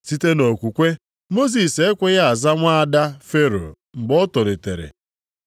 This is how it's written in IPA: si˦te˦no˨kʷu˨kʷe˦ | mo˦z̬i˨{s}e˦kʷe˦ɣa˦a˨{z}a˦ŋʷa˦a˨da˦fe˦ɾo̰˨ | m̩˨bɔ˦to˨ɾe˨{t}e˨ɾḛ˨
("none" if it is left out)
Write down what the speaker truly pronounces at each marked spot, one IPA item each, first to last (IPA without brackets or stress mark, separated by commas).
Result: s, z, t